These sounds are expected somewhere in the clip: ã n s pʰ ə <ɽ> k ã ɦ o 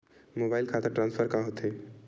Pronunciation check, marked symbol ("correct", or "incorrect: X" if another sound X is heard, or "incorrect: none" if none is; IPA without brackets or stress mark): incorrect: ɾ